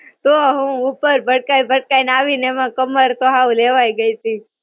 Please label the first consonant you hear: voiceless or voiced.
voiceless